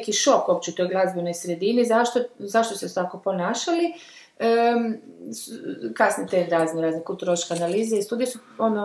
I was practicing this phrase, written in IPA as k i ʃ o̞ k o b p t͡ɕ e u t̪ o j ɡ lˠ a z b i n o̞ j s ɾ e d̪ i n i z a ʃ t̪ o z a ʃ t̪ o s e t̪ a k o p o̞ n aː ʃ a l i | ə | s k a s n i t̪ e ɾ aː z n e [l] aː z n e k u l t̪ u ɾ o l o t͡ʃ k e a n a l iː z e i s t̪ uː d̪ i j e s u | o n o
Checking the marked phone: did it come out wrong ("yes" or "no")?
yes